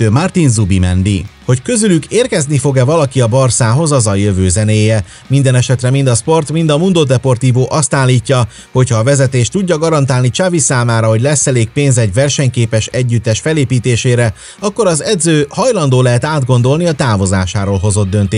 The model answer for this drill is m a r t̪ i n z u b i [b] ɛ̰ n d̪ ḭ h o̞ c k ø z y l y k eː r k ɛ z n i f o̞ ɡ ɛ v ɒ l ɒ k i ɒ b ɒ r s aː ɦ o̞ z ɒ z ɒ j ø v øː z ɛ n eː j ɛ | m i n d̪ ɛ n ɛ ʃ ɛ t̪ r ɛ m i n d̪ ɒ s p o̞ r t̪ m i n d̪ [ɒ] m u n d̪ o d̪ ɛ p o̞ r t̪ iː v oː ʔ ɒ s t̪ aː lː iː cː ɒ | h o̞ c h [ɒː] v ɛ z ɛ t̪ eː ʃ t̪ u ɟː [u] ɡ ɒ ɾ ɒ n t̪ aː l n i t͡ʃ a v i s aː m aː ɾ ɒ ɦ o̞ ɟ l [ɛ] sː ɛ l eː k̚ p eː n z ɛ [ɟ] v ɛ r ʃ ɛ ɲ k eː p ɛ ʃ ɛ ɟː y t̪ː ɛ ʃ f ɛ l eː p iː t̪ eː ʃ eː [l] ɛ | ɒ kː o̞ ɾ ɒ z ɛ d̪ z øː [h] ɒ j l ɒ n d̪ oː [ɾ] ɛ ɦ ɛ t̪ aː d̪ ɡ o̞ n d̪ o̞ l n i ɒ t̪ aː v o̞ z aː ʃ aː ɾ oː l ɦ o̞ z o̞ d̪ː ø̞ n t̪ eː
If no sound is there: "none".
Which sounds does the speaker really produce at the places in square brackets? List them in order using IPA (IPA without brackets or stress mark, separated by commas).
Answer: m, ɒ, ɒː, ɒ, ɛ, ɟ, ɾ, h, l